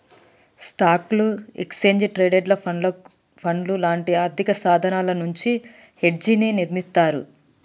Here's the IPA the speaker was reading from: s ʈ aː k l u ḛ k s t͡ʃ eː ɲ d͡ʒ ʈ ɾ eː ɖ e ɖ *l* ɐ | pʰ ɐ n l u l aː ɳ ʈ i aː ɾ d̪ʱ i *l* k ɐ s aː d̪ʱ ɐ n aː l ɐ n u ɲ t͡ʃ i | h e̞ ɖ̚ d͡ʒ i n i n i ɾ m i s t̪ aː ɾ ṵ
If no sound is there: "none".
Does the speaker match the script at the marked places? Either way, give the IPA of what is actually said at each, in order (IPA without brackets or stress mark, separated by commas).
l, none